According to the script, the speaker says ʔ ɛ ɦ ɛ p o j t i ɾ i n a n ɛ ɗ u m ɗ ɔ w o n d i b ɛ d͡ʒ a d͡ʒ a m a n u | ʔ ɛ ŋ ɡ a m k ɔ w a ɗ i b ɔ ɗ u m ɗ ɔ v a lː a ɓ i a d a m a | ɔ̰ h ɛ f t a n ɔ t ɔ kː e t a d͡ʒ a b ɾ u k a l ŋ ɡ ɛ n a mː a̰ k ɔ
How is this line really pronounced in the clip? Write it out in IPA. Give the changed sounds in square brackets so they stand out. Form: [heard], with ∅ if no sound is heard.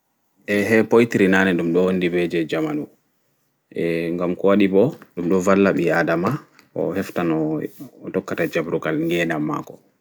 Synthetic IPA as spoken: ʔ ɛ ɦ ɛ p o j t i ɾ i n a n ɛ ɗ u m ɗ ɔ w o n d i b ɛ d͡ʒ [ɛ] d͡ʒ a m a n u | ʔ ɛ ŋ ɡ a m k ɔ w a ɗ i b ɔ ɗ u m ɗ ɔ v a lː a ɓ i a d a m a | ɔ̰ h ɛ f t a n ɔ t ɔ kː [a] t a d͡ʒ a b ɾ u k a l ŋ ɡ ɛ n a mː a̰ k ɔ